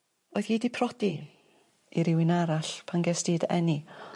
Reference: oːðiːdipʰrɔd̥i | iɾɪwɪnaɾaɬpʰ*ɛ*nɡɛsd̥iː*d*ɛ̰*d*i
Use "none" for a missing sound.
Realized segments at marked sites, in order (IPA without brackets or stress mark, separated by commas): a, d, n